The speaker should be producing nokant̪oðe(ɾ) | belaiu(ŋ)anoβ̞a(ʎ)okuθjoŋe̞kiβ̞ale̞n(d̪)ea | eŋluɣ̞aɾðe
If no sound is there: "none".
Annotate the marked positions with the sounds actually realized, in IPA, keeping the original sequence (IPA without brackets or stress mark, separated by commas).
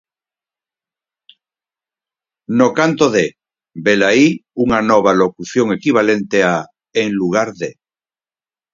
none, ŋ, l, t̪